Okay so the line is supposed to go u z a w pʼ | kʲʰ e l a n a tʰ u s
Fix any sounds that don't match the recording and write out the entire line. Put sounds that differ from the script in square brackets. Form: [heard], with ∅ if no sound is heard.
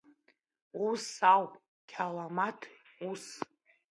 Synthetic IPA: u [s] a w pʼ | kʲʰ [a] l a [m] a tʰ u s